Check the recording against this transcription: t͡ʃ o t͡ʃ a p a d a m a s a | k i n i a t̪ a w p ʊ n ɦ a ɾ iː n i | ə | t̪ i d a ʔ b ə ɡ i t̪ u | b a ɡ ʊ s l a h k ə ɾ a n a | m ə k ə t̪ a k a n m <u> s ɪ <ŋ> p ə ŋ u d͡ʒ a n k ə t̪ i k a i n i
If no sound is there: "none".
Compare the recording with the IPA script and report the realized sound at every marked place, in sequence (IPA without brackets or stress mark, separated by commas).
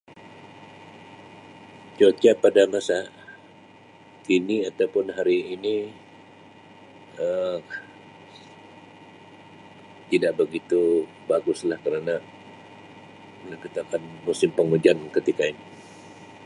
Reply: u, m